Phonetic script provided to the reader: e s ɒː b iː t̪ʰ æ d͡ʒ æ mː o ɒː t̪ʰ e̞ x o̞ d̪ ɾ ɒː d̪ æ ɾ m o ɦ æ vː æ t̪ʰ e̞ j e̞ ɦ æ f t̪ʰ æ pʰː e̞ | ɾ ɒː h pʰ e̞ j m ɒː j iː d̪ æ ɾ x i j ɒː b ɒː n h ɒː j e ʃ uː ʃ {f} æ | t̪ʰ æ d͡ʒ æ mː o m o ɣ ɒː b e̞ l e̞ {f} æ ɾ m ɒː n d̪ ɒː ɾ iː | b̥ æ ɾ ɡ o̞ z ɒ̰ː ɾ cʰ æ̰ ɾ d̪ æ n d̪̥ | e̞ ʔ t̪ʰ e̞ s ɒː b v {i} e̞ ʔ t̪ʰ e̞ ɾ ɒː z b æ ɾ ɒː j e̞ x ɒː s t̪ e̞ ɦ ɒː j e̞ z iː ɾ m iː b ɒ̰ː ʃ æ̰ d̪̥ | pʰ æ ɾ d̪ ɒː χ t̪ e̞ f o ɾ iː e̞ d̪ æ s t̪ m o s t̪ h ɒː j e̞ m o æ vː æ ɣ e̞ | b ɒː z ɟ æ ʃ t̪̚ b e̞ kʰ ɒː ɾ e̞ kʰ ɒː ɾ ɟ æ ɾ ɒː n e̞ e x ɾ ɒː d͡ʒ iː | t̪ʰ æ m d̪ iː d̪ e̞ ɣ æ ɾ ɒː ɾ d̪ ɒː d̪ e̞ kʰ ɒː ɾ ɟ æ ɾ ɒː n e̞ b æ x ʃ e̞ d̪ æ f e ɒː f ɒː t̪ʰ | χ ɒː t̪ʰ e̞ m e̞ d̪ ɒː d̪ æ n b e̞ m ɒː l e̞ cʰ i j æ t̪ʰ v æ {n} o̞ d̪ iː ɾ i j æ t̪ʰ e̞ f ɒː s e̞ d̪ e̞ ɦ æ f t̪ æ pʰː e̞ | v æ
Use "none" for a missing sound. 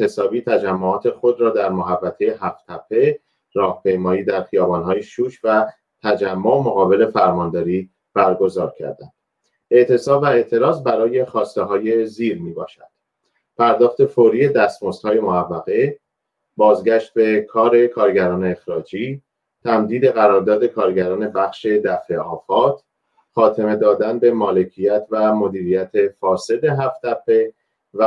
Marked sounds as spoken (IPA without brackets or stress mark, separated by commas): v, f, æ, m